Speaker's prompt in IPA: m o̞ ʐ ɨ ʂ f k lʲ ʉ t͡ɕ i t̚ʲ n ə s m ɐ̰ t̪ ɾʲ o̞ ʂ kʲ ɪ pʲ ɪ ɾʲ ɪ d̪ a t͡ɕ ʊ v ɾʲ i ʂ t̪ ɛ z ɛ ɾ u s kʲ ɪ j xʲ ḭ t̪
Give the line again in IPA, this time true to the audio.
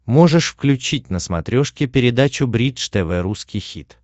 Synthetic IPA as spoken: m o̞ ʐ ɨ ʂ f k lʲ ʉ t͡ɕ i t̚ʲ n ə s m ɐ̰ t̪ ɾʲ o̞ ʂ kʲ ɪ pʲ ɪ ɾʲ ɪ d̪ a t͡ɕ ʊ b ɾʲ i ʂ t̪ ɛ v ɛ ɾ u s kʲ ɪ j xʲ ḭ t̪